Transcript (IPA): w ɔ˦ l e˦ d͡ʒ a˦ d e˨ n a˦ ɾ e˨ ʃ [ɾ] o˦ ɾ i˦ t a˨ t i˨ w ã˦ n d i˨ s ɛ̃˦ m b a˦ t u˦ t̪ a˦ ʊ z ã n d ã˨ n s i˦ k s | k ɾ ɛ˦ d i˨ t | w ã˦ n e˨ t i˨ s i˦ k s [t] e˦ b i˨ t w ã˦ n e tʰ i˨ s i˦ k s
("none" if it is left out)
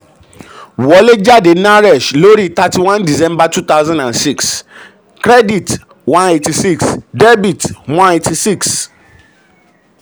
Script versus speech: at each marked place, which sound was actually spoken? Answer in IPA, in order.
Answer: l, d

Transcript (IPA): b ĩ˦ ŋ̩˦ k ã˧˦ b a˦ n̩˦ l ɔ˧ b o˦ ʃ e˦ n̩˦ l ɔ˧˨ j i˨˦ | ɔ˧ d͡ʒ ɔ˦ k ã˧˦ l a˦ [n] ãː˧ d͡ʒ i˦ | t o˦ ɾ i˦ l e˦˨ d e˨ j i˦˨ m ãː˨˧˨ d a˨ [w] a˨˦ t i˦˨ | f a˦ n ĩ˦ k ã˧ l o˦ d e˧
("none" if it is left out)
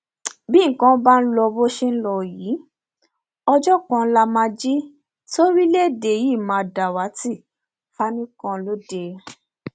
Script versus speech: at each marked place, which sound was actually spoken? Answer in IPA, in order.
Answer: m, w

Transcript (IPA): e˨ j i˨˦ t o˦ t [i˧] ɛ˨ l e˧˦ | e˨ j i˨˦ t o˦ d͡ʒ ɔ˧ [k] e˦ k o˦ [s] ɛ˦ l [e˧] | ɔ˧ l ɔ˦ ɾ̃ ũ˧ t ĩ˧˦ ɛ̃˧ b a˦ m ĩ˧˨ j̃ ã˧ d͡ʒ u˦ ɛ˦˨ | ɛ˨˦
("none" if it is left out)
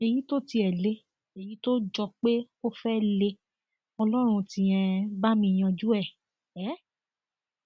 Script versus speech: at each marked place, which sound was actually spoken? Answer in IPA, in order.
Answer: i˧, k͡p, f, e˧

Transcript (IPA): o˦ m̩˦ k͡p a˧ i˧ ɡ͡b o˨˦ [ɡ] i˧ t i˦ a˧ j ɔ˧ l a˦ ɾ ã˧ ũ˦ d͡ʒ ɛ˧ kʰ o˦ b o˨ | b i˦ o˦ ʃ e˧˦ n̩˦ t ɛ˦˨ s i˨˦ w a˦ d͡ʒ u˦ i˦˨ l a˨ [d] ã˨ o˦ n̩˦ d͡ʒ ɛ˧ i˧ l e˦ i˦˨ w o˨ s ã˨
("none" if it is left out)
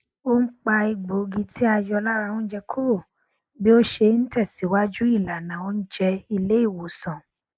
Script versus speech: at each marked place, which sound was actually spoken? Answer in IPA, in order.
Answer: ɡ, n

